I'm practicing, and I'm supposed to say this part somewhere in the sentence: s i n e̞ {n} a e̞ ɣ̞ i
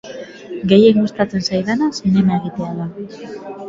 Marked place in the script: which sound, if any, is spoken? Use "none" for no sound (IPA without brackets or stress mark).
m